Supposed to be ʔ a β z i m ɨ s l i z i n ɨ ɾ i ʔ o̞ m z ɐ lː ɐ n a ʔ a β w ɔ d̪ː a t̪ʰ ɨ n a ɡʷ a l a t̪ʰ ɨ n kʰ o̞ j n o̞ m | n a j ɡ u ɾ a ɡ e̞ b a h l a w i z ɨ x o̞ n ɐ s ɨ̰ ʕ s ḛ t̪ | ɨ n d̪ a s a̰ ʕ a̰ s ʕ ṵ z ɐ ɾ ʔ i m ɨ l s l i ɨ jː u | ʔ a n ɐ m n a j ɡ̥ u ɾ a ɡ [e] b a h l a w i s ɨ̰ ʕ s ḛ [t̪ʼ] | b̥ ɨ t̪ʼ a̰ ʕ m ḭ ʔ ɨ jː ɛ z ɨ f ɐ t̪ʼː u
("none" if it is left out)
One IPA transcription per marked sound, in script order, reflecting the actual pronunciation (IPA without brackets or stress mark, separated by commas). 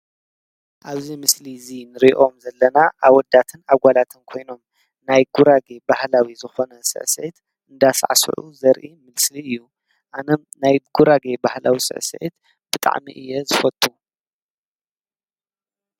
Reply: e, t̪